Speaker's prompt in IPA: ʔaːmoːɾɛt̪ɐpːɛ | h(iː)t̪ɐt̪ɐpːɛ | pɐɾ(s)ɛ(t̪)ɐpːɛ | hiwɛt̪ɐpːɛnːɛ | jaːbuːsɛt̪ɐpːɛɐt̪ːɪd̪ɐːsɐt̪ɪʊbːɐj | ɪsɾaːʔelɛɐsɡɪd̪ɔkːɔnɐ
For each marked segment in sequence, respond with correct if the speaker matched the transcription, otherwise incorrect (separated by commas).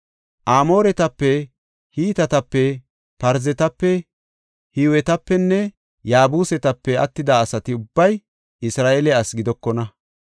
correct, incorrect, correct